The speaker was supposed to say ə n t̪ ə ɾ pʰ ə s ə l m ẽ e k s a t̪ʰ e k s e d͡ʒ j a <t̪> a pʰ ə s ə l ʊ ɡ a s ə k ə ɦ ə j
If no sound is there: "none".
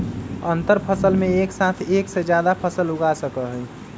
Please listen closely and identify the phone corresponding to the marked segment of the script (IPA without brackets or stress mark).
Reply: d̪